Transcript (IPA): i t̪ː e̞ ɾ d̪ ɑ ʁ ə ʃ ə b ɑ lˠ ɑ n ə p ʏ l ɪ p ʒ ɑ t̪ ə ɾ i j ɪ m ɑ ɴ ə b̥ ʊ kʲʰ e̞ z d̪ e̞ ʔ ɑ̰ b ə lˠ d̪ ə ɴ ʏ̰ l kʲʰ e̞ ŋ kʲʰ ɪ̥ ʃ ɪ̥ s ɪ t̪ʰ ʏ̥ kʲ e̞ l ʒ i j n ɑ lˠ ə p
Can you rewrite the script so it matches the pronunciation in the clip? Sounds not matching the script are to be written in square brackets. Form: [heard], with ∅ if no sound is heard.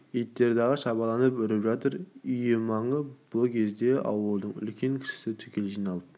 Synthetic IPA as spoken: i t̪ː e̞ ɾ d̪ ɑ ʁ ə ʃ [ɑ] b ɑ lˠ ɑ n ə p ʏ [ɾ] ɪ p ʒ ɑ t̪ ə ɾ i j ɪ m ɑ ɴ ə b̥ ʊ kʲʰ e̞ z d̪ e̞ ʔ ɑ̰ [w] ə lˠ d̪ ə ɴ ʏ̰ l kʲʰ e̞ ŋ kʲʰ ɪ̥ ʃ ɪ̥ s ɪ t̪ʰ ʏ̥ kʲ e̞ l ʒ i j n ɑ lˠ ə p